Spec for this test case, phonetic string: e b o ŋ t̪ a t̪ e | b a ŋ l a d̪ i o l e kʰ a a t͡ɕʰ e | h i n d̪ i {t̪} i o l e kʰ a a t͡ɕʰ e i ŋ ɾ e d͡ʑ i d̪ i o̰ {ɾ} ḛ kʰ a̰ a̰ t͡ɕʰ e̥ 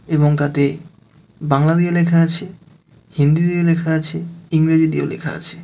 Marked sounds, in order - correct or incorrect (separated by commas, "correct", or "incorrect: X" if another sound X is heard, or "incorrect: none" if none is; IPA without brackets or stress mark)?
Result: incorrect: d̪, incorrect: l